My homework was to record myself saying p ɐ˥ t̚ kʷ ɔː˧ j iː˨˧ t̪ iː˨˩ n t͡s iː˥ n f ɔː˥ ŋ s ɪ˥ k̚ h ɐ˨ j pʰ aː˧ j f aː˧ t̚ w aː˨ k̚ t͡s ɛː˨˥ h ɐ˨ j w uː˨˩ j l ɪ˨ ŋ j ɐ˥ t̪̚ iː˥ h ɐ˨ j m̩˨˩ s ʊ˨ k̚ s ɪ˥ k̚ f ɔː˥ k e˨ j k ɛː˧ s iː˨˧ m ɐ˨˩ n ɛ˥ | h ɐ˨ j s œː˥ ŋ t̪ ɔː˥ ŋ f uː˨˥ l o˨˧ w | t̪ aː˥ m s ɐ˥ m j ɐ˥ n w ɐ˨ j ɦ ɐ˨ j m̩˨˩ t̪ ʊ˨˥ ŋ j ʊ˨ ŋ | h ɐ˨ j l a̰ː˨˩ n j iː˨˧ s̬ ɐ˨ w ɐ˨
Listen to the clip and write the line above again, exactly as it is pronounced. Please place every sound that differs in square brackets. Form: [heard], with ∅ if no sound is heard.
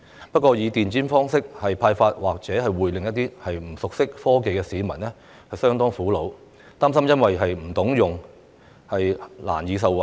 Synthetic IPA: p ɐ˥ t̚ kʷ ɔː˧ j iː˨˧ t̪ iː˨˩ n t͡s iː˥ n f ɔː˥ ŋ s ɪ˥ k̚ h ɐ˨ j pʰ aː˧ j f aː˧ t̚ w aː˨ k̚ t͡s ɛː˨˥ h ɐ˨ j w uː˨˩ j l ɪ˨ ŋ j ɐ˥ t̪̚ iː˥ h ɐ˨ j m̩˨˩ s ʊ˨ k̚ s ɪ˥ k̚ f ɔː˥ k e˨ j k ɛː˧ s iː˨˧ m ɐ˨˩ n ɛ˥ | h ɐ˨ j s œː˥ ŋ t̪ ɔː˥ ŋ f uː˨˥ l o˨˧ w | t̪ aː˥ m s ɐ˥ m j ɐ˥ n w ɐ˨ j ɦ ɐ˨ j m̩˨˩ t̪ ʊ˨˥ ŋ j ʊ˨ ŋ | h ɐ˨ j l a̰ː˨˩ n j iː˨˧ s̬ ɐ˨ w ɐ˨